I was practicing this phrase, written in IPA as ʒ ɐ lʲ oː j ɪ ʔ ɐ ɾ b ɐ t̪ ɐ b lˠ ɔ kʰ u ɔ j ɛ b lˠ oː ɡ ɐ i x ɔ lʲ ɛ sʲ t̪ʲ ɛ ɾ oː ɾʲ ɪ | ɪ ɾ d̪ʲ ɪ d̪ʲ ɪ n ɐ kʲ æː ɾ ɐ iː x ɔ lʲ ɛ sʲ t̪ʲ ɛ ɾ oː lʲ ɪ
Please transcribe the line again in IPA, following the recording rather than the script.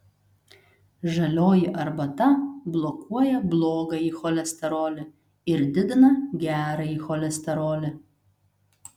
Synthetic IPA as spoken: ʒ ɐ lʲ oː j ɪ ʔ ɐ ɾ b ɐ t̪ ɐ b lˠ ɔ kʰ u ɔ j ɛ b lˠ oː ɡ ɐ i x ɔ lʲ ɛ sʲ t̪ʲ ɛ ɾ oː lʲ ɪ | ɪ ɾ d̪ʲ ɪ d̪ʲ ɪ n ɐ ɡʲ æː ɾ ɐ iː x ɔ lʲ ɛ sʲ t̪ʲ ɛ ɾ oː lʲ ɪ